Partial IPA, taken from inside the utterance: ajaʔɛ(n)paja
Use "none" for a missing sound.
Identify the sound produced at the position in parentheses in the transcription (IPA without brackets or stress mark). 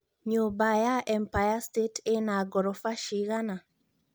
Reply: m